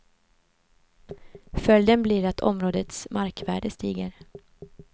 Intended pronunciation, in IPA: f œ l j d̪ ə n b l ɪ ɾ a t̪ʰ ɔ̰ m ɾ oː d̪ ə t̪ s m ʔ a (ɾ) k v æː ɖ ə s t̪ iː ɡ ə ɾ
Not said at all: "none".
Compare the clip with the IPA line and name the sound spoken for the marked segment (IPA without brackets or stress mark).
ɾ